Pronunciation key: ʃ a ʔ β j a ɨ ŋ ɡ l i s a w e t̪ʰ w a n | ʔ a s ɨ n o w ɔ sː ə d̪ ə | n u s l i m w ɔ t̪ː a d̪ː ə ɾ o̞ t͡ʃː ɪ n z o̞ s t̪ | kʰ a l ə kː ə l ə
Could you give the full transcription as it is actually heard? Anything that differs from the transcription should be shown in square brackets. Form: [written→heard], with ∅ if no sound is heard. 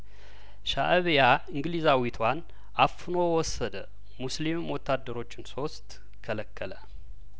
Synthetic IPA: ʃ a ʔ β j a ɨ ŋ ɡ l i [s→z] a w [e→i] t̪ʰ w a n | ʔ a [s→f] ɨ n o w ɔ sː ə d̪ ə | [n→m] u s l i m w ɔ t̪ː a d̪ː ə ɾ o̞ t͡ʃː ɪ n [z→s] o̞ s t̪ | kʰ [a→ə] l ə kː ə l ə